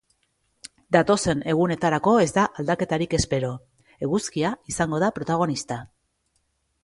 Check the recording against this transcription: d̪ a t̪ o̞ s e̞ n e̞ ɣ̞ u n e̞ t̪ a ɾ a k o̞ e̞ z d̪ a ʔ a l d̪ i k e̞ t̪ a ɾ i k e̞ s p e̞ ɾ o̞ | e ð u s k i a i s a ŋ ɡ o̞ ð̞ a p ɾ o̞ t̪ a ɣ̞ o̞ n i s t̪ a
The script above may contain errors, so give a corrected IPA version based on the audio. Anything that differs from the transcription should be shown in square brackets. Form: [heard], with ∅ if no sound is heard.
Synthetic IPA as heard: d̪ a t̪ o̞ s e̞ n e̞ ɣ̞ u n e̞ t̪ a ɾ a k o̞ e̞ z d̪ a ʔ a l d̪ [a] k e̞ t̪ a ɾ i k e̞ s p e̞ ɾ o̞ | e [ɣ] u s k i a i s a ŋ ɡ o̞ ð̞ a p ɾ o̞ t̪ a ɣ̞ o̞ n i s t̪ a